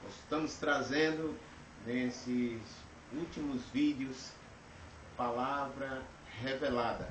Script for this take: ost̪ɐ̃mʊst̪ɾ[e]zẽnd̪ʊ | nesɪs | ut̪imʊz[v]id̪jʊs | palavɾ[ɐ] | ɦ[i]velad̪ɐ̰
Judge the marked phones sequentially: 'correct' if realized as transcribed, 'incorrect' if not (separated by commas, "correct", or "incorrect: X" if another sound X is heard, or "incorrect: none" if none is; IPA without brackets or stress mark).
incorrect: a, correct, correct, incorrect: e